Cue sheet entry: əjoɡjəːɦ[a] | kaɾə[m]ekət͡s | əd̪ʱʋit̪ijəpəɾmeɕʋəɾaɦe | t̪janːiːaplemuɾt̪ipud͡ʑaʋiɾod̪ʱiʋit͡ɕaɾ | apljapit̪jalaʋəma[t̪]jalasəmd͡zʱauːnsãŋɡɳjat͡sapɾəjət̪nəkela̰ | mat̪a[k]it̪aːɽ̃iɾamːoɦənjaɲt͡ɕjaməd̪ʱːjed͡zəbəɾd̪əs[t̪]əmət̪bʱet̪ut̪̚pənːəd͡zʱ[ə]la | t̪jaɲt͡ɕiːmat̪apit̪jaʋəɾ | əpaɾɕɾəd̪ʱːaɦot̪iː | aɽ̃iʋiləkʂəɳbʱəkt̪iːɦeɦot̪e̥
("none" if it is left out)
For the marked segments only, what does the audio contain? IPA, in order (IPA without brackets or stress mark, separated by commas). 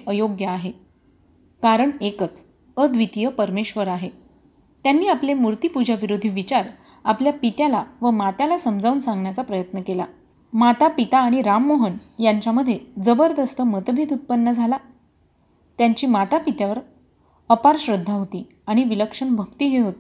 e, ɳ, t̪, p, t̪, a